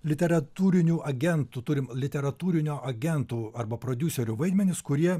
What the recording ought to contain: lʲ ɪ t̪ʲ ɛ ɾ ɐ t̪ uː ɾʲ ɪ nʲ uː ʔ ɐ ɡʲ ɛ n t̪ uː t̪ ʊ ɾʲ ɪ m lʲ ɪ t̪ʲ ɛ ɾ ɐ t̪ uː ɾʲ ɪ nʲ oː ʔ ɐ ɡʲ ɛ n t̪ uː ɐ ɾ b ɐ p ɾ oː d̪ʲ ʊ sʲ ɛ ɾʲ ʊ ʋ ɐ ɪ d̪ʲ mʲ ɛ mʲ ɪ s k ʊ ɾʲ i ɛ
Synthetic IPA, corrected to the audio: lʲ ɪ t̪ʲ ɛ ɾ ɐ t̪ uː ɾʲ ɪ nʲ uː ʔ ɐ ɡʲ ɛ n t̪ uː t̪ ʊ ɾʲ ɪ m lʲ ɪ t̪ʲ ɛ ɾ ɐ t̪ uː ɾʲ ɪ nʲ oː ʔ ɐ ɡʲ ɛ n t̪ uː ɐ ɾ b ɐ p ɾ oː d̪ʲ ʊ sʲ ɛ ɾʲ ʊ ʋ ɐ ɪ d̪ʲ mʲ ɛ nʲ ɪ s k ʊ ɾʲ i ɛ